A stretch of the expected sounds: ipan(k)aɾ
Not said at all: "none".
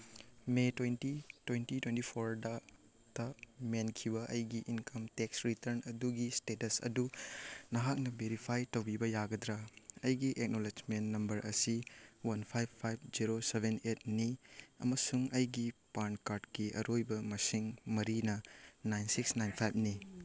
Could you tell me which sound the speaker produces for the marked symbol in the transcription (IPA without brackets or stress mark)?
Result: k